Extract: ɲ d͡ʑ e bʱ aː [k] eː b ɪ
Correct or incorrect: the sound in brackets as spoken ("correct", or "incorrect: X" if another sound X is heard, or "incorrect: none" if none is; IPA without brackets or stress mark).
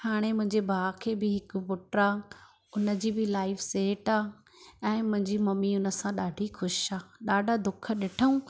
incorrect: kʰ